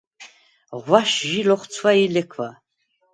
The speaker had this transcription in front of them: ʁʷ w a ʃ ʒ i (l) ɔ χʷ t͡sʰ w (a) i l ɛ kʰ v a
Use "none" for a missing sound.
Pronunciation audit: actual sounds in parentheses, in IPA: l, a

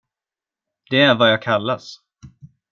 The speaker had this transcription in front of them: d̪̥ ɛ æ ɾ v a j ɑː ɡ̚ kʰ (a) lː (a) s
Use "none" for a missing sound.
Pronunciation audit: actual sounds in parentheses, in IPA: a, a

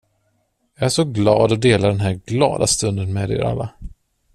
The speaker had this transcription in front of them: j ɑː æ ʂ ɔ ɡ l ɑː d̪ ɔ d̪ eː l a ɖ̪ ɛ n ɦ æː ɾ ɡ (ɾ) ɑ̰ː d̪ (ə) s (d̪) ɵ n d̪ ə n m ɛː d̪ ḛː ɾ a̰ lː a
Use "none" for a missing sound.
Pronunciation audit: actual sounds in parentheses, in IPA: l, a, t̪

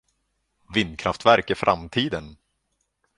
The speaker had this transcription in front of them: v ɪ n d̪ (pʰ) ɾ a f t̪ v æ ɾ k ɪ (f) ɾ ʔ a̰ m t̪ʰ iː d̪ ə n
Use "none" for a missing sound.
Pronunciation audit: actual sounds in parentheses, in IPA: kʰ, f

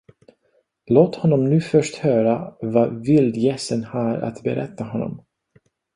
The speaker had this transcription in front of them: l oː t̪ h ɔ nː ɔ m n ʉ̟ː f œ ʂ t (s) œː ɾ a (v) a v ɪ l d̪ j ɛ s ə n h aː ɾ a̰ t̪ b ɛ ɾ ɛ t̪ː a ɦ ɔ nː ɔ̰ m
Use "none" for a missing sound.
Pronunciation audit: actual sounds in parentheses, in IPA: h, v

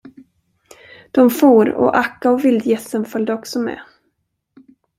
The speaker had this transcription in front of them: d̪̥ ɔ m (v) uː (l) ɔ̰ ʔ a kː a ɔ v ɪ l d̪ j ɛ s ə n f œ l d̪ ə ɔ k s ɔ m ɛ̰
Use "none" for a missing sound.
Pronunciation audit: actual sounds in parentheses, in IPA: f, ɾ

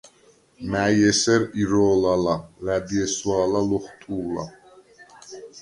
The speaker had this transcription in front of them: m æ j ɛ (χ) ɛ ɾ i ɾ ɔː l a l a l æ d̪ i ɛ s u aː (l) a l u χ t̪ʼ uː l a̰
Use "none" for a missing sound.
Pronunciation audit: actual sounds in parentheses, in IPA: s, l

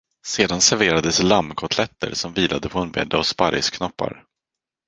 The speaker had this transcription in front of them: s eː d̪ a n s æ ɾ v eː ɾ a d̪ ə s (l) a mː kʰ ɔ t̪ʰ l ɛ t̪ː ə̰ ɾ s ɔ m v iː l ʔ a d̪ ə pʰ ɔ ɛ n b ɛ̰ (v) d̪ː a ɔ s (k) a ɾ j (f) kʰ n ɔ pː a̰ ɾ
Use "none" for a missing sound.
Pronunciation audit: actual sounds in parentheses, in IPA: l, none, p, s

